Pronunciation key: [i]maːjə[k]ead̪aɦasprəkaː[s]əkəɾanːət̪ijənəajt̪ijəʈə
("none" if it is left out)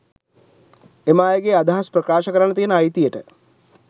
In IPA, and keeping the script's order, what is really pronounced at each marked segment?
e, ɡ, ʃ

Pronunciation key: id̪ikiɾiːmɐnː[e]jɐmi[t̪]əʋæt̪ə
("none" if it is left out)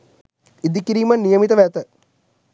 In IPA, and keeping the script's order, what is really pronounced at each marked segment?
i, t̪

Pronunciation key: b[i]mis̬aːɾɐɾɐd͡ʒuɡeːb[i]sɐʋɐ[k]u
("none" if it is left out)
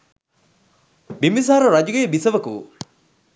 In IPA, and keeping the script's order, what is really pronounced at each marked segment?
i, i, k

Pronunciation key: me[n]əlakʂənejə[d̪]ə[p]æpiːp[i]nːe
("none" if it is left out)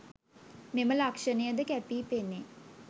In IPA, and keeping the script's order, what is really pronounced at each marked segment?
m, d̪, k, e

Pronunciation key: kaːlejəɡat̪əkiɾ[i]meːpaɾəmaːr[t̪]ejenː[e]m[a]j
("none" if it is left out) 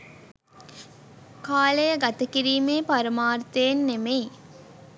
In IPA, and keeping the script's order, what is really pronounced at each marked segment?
iː, t̪, e, e

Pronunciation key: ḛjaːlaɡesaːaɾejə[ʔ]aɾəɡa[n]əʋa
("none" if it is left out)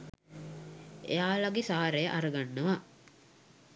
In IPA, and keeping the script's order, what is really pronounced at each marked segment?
ʔ, nː

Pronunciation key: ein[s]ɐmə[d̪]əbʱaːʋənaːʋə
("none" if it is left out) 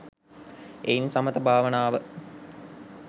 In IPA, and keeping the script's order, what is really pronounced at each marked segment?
s, t̪

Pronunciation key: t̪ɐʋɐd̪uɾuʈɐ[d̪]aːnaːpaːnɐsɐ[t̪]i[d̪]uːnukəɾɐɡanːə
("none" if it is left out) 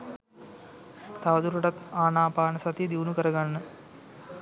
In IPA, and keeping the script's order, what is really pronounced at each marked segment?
t̪, t̪, d̪

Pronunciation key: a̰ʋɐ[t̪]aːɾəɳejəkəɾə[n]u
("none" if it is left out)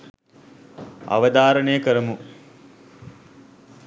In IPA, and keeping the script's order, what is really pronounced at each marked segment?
d̪, m

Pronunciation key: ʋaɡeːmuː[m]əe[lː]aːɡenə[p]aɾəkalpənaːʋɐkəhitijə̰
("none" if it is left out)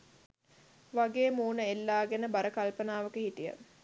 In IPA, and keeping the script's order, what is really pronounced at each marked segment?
n, lː, b

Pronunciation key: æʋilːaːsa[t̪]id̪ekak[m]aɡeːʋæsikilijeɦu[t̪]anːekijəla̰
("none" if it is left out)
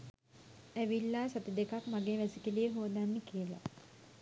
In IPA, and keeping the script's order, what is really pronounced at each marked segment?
t̪, m, d̪

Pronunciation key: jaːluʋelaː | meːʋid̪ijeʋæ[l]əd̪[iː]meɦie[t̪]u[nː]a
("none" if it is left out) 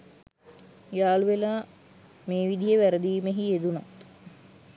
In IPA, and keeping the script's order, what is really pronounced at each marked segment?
ɾ, iː, d̪, n

